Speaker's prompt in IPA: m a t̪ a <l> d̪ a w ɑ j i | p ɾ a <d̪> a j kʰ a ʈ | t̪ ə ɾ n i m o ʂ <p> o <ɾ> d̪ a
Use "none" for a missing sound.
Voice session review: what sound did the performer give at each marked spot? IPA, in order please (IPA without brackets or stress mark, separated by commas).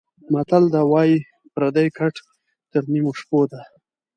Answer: l, d̪, p, none